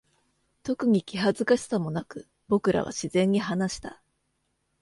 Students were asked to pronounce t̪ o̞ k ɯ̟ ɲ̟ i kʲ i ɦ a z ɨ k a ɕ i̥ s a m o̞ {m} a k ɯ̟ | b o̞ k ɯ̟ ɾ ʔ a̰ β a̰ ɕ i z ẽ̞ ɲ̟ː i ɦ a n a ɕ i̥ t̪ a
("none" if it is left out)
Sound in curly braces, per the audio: n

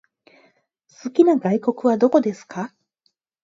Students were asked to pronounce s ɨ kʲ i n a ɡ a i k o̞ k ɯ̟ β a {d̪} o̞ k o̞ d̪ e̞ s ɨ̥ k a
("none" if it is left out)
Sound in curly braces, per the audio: d̪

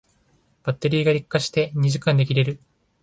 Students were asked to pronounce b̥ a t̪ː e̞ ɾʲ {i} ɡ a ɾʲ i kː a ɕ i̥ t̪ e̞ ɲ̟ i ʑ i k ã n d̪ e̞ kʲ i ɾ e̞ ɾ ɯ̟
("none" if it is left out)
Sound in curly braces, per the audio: iː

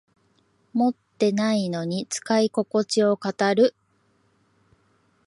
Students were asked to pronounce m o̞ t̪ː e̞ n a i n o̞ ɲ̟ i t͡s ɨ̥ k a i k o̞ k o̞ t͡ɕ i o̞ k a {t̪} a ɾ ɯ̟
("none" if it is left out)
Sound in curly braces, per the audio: t̪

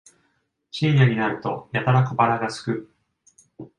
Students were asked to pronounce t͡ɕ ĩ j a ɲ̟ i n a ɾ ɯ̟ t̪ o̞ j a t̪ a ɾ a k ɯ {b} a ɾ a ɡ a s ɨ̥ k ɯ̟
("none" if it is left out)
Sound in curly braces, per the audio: b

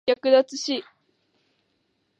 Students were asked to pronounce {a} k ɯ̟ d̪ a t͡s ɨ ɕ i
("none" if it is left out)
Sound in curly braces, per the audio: a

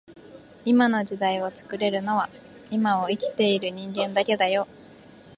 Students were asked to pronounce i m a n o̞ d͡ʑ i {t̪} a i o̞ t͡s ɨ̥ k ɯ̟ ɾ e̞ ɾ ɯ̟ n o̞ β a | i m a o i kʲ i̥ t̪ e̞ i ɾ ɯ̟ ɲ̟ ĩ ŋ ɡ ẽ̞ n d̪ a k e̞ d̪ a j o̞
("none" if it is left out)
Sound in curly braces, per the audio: d̪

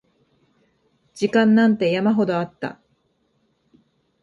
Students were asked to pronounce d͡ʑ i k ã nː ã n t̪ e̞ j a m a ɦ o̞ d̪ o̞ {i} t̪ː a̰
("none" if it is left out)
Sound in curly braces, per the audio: a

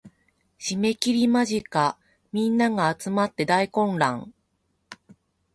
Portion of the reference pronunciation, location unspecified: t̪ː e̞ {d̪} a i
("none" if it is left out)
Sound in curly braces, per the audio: d̪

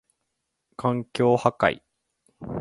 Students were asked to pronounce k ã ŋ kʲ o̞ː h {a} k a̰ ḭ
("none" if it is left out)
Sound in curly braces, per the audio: a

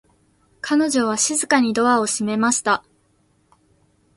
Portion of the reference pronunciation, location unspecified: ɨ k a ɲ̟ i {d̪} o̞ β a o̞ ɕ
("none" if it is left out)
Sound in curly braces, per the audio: d̪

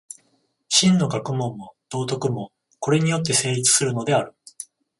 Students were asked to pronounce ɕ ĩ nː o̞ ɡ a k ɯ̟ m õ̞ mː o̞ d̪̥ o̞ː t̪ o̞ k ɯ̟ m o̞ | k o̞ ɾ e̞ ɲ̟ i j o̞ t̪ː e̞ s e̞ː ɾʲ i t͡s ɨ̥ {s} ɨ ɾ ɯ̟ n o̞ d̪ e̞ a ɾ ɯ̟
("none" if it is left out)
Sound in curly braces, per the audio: s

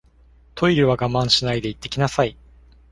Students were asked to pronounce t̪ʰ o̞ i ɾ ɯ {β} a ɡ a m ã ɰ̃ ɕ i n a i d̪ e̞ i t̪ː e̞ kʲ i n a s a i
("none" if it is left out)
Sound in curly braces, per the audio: β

